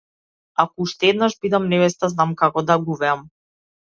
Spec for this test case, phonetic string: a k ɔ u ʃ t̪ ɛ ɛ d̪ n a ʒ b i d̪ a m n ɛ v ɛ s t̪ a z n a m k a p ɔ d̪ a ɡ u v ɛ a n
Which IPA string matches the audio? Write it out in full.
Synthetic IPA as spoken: a k ɔ u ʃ t̪ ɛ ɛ d̪ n a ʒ b i d̪ a m n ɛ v ɛ s t̪ a z n a m k a k ɔ d̪ a ɡ u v ɛ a m